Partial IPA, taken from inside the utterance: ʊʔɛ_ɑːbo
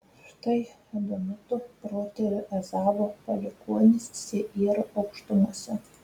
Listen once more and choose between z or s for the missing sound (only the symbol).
z